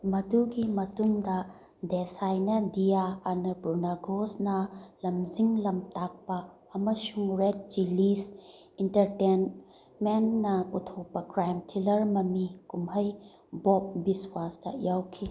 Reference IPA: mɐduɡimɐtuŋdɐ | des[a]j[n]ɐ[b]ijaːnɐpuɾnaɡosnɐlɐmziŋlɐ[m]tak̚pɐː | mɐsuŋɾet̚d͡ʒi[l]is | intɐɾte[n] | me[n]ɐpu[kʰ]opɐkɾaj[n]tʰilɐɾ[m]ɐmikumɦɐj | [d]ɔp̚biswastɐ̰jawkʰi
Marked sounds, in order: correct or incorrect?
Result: correct, correct, incorrect, correct, correct, correct, incorrect, incorrect, incorrect, correct, incorrect

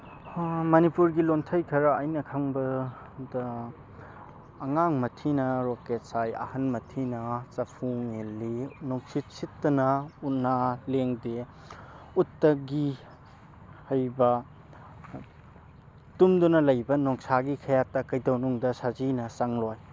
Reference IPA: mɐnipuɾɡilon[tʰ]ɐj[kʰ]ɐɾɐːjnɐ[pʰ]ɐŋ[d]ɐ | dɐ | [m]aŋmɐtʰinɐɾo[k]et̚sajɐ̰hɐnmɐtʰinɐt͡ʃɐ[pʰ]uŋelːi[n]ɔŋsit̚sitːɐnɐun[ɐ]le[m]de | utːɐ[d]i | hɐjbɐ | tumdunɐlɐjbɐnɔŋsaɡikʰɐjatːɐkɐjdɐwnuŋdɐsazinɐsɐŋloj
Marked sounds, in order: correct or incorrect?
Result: correct, correct, incorrect, incorrect, incorrect, correct, correct, correct, incorrect, incorrect, incorrect

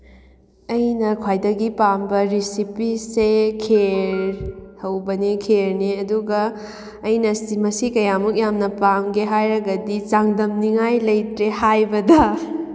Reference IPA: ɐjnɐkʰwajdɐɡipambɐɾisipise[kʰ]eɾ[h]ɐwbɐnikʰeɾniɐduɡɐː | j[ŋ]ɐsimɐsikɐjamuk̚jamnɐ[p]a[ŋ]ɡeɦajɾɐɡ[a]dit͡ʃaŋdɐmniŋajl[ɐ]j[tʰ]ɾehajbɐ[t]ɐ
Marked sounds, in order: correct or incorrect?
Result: correct, correct, incorrect, correct, incorrect, incorrect, correct, incorrect, incorrect

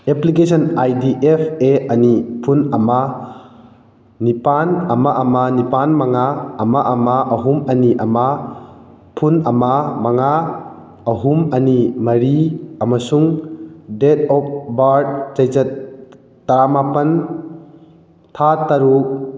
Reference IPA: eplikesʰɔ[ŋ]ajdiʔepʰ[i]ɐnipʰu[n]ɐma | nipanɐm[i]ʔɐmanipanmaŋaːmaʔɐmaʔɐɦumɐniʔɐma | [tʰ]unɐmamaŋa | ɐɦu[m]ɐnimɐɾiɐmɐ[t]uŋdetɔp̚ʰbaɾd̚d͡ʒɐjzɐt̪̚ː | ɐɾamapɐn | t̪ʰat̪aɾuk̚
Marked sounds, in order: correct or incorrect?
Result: incorrect, incorrect, correct, incorrect, incorrect, correct, incorrect

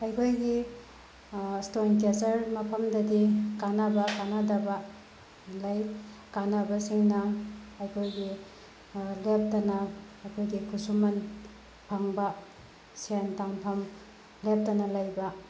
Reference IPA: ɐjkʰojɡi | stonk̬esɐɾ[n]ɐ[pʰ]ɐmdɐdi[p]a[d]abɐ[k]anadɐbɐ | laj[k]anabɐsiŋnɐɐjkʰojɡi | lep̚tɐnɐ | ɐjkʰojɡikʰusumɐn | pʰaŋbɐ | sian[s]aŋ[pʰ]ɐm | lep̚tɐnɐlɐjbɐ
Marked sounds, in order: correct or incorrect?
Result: incorrect, correct, incorrect, incorrect, correct, correct, incorrect, correct

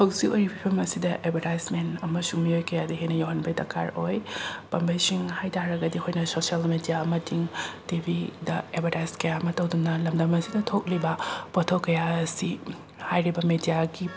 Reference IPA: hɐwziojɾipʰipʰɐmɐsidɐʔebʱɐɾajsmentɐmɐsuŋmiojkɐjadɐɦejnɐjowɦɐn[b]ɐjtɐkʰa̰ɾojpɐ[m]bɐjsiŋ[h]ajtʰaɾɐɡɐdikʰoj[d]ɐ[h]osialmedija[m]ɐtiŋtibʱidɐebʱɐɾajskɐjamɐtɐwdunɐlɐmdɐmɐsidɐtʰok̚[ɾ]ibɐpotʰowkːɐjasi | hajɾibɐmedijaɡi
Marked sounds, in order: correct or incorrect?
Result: correct, correct, correct, incorrect, incorrect, correct, incorrect

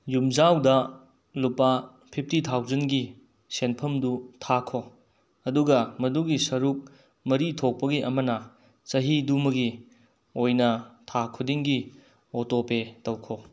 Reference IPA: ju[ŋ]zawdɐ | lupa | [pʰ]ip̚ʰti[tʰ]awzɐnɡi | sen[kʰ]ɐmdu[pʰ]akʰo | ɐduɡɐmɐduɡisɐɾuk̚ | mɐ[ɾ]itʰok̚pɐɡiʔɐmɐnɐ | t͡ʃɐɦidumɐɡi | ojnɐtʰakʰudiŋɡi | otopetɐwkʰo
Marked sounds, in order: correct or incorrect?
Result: incorrect, correct, correct, incorrect, incorrect, correct

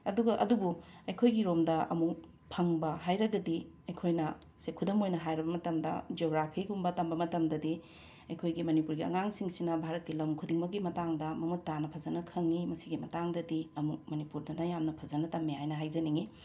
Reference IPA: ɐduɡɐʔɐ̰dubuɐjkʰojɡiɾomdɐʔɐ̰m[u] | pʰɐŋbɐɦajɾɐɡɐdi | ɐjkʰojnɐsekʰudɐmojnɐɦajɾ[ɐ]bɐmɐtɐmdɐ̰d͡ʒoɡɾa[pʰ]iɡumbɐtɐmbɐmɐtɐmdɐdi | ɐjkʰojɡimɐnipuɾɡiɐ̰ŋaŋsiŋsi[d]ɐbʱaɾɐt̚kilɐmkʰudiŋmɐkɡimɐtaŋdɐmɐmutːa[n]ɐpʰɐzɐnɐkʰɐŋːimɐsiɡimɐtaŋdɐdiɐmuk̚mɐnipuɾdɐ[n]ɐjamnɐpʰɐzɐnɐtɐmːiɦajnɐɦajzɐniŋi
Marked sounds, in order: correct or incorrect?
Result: correct, correct, correct, incorrect, correct, correct

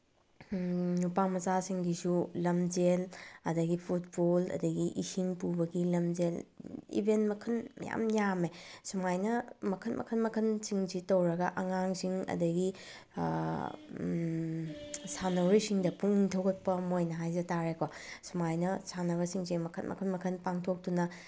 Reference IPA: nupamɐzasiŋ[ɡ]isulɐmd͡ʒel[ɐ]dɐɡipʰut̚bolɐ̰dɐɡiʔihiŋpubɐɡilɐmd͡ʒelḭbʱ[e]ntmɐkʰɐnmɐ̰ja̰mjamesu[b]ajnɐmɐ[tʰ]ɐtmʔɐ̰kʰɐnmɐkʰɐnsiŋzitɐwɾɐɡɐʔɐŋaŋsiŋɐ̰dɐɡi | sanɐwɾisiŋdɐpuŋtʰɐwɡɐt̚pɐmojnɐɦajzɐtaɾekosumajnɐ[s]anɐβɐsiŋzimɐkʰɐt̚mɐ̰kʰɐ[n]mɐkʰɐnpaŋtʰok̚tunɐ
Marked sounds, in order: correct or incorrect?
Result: correct, correct, correct, incorrect, incorrect, correct, correct

